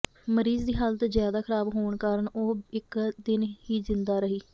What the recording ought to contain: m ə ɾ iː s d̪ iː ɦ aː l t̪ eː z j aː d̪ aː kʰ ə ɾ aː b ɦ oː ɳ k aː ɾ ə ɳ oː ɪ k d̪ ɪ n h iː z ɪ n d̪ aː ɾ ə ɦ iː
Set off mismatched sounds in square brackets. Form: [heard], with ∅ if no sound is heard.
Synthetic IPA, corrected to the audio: m ə ɾ iː [z] d̪ iː ɦ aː l t̪ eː z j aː d̪ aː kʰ ə ɾ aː b ɦ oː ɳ k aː ɾ ə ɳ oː ɪ k d̪ ɪ n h iː z ɪ n d̪ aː ɾ ə ɦ iː